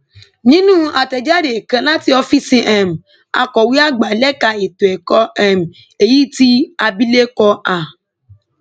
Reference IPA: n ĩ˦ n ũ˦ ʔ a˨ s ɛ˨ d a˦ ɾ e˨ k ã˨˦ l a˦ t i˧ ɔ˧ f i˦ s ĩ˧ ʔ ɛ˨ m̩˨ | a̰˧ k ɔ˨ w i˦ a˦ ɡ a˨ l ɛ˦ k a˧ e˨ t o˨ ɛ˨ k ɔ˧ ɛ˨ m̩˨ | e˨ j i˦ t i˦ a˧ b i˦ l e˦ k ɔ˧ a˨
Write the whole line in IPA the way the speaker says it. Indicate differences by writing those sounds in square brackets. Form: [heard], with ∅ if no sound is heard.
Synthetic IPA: n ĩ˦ n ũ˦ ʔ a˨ [t] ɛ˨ [d͡ʒ] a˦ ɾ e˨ k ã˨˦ l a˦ t i˧ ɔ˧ f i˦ s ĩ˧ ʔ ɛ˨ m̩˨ | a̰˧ k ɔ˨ w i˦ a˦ [ɡ͡b] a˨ l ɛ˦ k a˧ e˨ t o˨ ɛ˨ k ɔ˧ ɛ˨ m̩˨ | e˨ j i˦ t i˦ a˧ b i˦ l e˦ k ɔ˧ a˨